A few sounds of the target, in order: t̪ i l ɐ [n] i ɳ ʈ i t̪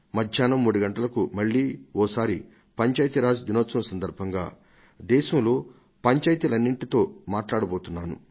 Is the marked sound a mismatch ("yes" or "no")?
yes